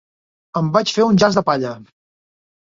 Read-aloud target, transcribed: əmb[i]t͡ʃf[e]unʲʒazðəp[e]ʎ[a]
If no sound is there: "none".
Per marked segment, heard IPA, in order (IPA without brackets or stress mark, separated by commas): a, e, a, ə